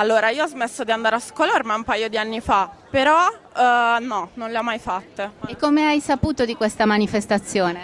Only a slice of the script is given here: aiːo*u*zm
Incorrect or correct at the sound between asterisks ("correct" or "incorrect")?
incorrect